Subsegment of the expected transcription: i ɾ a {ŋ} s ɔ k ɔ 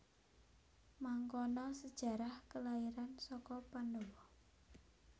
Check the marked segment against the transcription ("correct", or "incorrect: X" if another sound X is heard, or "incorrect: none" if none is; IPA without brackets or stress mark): incorrect: n